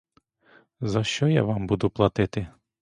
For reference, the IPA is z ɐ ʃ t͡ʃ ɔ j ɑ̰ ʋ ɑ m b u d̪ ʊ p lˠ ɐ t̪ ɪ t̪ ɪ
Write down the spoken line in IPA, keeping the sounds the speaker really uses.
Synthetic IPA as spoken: z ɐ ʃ t͡ʃ ɔ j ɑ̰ ʋ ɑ m b u d̪ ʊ p lˠ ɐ t̪ ɪ t̪ ɪ